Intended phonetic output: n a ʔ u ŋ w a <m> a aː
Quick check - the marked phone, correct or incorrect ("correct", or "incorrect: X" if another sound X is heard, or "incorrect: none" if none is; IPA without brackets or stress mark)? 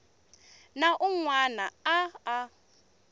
incorrect: n